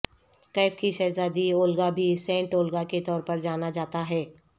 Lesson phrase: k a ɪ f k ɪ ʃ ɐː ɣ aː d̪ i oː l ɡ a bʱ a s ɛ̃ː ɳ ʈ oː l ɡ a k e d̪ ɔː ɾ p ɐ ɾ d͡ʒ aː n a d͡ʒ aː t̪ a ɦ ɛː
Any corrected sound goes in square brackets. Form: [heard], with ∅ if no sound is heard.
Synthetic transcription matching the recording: k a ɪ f k [i] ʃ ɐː [z] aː d̪ i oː l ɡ a bʱ [i] s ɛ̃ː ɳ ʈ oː l ɡ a k e [t̪] ɔː ɾ p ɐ ɾ d͡ʒ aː n a d͡ʒ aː t̪ a ɦ ɛː